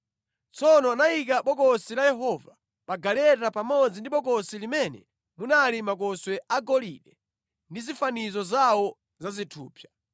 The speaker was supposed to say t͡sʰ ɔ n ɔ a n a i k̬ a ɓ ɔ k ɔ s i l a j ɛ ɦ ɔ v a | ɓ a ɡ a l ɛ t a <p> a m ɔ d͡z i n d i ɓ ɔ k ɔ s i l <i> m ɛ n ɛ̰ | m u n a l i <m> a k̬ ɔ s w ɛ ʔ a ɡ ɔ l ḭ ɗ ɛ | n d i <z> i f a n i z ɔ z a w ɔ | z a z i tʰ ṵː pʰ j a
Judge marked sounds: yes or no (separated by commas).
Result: yes, yes, yes, yes